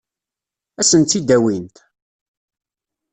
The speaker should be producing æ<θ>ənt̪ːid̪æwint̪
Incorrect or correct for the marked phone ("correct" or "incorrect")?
incorrect